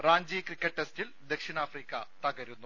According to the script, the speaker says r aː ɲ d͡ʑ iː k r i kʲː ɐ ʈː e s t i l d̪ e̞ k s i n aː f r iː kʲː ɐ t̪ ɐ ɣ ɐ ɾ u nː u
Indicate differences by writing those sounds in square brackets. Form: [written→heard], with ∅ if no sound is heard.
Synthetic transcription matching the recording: r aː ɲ d͡ʑ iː k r i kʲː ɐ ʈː e s t i l d̪ e̞ k [s→ʂ] i n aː f r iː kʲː ɐ t̪ ɐ ɣ ɐ ɾ u nː u